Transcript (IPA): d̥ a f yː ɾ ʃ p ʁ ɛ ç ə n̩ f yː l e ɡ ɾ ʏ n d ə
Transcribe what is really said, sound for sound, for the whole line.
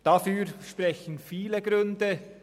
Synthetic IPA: d̥ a f yː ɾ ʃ p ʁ ɛ ç ə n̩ f iː l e ɡ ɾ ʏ n d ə